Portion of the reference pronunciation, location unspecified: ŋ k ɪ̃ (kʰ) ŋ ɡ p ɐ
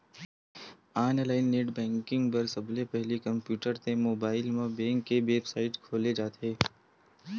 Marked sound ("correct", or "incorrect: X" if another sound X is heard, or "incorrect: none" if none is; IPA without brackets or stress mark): incorrect: none